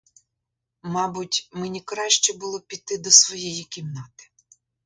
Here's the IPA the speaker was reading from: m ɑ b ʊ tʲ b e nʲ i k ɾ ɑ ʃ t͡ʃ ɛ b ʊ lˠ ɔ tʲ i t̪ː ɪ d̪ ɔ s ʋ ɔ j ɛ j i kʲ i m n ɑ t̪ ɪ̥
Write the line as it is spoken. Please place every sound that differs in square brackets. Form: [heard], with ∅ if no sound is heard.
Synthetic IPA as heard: m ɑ b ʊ tʲ [m] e nʲ i k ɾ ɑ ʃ t͡ʃ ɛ b ʊ lˠ ɔ [pʲ] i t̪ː ɪ d̪ ɔ s ʋ ɔ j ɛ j i kʲ i m n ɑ t̪ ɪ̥